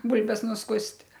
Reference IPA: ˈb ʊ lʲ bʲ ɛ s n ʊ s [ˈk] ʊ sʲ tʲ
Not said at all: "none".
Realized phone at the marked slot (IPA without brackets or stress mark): k